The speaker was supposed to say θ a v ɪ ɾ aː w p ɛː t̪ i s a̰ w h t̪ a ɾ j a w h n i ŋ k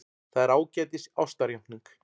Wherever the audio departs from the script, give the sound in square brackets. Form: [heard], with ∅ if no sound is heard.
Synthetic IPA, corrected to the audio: θ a [ð] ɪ ɾ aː w [c] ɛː t̪ [ɪ] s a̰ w [s] t̪ a ɾ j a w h n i ŋ k